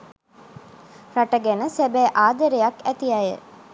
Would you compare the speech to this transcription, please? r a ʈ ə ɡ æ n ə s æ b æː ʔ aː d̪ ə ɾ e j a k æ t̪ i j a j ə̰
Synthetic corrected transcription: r a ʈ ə ɡ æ n ə s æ b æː ʔ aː d̪ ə ɾ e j a k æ t̪ i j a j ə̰